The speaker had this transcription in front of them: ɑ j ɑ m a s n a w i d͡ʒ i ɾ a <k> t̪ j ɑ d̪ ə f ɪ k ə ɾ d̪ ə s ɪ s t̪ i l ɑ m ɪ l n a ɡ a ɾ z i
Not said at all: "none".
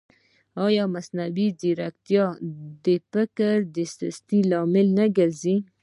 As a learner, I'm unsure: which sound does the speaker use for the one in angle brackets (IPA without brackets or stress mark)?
k